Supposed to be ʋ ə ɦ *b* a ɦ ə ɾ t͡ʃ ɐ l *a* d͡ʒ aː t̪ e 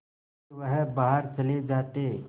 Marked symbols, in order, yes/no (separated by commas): yes, no